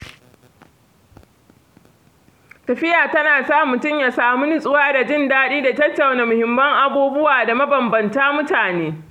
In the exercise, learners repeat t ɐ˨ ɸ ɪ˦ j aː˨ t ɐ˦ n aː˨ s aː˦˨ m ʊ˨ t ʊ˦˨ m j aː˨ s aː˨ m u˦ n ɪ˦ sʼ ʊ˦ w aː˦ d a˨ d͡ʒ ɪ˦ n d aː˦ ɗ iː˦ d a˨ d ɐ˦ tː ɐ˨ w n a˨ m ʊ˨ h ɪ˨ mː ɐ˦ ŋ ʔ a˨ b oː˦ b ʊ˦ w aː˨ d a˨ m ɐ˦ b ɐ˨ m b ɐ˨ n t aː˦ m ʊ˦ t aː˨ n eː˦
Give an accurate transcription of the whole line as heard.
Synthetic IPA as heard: t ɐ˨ ɸ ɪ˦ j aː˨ t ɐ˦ n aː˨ s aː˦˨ m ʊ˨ t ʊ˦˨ m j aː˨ s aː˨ m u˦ n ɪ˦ sʼ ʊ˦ w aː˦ d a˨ d͡ʒ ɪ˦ n d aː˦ ɗ iː˦ d a˨ t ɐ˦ tː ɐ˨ w n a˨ m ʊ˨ h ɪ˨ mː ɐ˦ ŋ ʔ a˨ b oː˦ b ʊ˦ w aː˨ d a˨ m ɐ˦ b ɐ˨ m b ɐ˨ n t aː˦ m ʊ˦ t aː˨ n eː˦

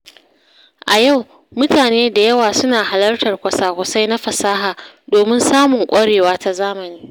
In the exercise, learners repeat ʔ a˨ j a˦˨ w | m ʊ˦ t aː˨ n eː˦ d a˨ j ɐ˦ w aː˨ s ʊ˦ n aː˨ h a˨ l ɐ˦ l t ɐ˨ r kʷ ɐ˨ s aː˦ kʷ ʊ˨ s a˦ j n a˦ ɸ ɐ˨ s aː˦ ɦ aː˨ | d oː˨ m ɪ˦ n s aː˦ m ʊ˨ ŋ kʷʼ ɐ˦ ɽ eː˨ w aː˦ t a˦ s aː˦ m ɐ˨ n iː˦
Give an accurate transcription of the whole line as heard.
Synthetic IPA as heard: ʔ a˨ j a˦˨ w | m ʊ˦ t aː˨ n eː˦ d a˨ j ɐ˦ w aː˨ s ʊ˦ n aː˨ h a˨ l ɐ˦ r t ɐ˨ r kʷ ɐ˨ s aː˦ kʷ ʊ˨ s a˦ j n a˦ ɸ ɐ˨ s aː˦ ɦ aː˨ | d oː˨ m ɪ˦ n s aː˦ m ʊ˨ ŋ kʷʼ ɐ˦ ɽ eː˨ w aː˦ t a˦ z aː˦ m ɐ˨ n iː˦

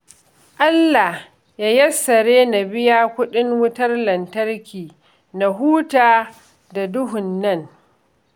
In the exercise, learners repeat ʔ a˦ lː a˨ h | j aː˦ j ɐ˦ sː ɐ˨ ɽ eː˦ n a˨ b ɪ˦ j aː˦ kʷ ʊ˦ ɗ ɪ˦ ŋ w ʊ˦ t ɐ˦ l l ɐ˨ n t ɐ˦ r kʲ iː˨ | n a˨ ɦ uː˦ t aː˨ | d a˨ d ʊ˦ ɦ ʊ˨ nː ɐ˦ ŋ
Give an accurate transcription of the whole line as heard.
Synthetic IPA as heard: ʔ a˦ lː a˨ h | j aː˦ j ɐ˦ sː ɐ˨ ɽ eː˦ n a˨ b ɪ˦ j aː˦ kʷ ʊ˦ ɗ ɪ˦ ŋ w ʊ˦ t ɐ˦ r l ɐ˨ n t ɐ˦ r kʲ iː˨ | n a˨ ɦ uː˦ t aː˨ | d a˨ d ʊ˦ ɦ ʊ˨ nː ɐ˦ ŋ

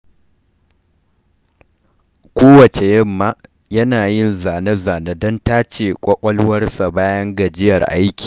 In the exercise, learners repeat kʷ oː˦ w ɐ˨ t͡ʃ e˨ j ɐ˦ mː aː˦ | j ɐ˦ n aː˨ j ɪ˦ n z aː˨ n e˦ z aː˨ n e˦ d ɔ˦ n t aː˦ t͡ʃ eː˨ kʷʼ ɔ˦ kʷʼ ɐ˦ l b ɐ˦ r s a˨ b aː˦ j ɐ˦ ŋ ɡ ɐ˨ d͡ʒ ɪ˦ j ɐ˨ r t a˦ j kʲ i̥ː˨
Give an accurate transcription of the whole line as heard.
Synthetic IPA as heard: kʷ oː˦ w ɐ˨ t͡ʃ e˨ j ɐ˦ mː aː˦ | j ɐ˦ n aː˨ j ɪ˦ n z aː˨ n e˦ z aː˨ n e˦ d ɔ˦ n t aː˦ t͡ʃ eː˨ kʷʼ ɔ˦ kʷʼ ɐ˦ l w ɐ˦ r s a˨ b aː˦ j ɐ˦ ŋ ɡ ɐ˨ d͡ʒ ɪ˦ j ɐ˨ r ʔ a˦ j kʲ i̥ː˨

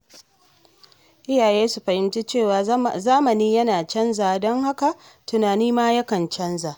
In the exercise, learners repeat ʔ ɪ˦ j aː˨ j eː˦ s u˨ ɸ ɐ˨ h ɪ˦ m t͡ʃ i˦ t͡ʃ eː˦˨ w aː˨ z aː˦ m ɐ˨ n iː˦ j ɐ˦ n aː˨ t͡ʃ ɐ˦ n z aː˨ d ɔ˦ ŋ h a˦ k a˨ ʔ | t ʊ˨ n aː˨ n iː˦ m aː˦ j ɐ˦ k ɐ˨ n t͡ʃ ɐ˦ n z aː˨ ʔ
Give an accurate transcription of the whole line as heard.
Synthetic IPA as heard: ʔ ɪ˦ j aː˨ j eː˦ s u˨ ɸ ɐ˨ h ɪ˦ m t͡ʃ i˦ t͡ʃ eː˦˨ w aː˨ z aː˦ m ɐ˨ n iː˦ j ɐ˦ n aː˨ t͡ʃ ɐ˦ n z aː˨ d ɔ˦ ŋ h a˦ k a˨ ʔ | t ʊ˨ n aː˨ n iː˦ m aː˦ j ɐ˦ k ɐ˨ n t͡ʃ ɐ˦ n z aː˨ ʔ

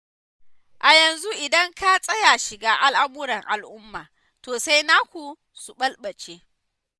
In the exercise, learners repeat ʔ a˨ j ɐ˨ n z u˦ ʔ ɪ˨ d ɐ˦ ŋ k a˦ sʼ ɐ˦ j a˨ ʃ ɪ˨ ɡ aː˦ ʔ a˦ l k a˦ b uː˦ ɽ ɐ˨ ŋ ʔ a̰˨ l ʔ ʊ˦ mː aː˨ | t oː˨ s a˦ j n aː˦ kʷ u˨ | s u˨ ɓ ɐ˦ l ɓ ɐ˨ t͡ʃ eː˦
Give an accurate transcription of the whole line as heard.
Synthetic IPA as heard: ʔ a˨ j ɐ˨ n z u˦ ʔ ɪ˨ d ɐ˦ ŋ k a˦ sʼ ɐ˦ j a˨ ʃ ɪ˨ ɡ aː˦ ʔ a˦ l ʔ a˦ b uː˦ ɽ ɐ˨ ŋ ʔ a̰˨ l ʔ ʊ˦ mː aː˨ | t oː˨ s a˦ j n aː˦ kʷ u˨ | s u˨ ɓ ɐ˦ l ɓ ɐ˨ t͡ʃ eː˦

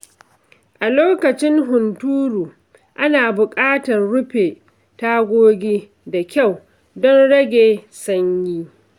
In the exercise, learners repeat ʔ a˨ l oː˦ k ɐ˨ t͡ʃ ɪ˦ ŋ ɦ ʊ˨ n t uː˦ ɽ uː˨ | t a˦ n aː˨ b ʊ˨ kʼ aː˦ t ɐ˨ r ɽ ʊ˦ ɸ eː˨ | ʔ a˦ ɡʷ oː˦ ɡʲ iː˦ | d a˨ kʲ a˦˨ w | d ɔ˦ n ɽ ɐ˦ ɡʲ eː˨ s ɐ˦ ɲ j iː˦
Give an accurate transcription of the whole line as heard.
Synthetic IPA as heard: ʔ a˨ l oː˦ k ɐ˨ t͡ʃ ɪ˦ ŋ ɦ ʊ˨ n t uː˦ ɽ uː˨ | ʔ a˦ n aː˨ b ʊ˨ kʼ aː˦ t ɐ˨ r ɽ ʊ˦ ɸ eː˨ | t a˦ ɡʷ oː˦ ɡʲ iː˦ | d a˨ kʲ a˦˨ w | d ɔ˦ n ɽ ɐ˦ ɡʲ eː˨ s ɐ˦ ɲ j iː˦

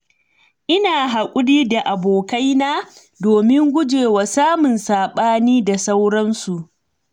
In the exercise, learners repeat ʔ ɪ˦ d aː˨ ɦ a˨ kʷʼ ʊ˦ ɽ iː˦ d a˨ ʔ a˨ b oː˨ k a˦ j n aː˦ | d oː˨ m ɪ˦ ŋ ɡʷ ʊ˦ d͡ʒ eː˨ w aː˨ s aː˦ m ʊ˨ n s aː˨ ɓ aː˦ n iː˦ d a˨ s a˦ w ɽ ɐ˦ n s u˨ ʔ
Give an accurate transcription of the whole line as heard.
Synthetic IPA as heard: ʔ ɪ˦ n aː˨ ɦ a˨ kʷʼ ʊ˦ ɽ iː˦ d a˨ ʔ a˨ b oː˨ k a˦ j n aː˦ | d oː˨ m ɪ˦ ŋ ɡʷ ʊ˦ d͡ʒ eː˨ w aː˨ s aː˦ m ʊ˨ n s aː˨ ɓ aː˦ n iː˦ d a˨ s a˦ w ɽ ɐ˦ n s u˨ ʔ

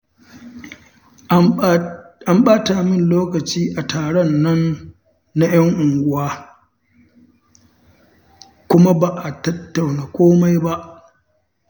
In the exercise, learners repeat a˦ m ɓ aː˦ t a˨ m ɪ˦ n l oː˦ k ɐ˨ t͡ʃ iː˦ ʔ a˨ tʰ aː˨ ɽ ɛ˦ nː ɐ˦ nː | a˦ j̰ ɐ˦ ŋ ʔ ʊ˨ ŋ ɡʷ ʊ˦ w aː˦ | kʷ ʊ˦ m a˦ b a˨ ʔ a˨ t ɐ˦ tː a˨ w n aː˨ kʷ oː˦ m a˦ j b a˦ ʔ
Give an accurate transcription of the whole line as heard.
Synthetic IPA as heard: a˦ m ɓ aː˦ t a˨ m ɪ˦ n l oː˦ k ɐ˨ t͡ʃ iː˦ ʔ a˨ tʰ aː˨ ɽ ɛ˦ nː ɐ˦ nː | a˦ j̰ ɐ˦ ŋ ʔ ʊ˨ ŋ ɡʷ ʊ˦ w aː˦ | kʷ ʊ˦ m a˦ b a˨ ʔ a˨ t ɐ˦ tː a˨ w n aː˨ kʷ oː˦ m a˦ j b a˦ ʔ

